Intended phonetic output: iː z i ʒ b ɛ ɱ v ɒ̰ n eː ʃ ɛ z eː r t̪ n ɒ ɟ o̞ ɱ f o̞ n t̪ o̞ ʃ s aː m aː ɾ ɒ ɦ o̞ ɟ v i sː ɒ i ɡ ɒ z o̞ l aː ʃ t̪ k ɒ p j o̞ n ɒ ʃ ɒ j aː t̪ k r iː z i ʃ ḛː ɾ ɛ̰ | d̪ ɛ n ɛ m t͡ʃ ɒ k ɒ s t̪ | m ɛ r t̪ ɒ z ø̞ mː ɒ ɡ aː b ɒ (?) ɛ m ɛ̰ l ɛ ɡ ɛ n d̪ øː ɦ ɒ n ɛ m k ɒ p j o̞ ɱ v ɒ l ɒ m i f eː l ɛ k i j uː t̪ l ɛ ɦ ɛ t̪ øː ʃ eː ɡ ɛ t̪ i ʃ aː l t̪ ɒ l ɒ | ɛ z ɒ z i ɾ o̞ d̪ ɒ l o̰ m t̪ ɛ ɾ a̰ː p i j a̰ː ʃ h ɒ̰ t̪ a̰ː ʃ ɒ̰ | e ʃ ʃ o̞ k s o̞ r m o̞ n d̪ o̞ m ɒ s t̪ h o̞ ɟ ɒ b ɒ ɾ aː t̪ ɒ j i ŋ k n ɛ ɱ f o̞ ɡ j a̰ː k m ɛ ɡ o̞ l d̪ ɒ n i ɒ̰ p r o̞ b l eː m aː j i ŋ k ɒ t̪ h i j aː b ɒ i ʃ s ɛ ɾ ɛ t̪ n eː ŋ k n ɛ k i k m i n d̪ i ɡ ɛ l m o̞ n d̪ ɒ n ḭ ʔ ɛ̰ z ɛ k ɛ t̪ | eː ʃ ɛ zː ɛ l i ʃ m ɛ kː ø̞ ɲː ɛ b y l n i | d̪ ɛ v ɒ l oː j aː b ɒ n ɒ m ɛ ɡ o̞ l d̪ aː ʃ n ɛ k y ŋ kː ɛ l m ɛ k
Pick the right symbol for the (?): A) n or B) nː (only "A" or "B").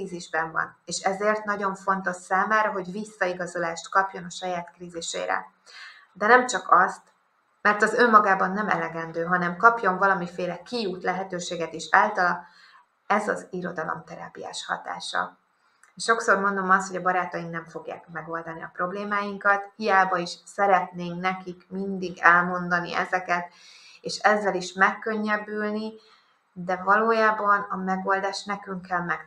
B